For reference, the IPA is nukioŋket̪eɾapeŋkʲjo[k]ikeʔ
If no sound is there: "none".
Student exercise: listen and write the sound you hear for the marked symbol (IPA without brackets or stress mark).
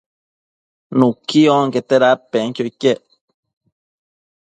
none